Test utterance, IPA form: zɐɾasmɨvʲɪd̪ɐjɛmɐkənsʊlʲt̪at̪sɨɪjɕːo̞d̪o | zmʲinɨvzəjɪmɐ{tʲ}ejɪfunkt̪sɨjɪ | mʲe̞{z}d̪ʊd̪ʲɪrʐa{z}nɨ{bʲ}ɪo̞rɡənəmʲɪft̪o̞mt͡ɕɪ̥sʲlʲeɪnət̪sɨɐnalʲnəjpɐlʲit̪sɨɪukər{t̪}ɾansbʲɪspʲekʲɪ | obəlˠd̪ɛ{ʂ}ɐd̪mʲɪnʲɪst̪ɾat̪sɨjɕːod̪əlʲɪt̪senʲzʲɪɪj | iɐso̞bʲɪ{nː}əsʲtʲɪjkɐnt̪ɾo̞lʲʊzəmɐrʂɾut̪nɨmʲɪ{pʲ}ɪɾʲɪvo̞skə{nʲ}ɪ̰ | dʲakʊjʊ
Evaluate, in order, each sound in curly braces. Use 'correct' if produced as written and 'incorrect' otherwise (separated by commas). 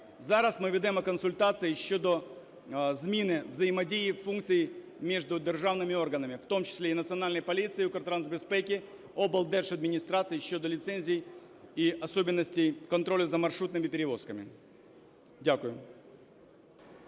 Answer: incorrect, incorrect, incorrect, incorrect, correct, correct, correct, correct, incorrect